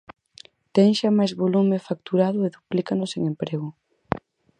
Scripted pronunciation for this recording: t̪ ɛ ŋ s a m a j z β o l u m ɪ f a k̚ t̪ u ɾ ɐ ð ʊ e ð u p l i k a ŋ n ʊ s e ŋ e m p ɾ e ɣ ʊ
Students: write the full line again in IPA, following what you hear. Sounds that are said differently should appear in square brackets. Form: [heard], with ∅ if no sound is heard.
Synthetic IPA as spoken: t̪ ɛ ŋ [ʃ] a m a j z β o l u m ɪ f a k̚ t̪ u ɾ [a] ð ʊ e ð u p l i k a [∅] n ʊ s e ŋ e m p ɾ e ɣ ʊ